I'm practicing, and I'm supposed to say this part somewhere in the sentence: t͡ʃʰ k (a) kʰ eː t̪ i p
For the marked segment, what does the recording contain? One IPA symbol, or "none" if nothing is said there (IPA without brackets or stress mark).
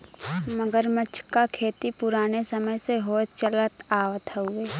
a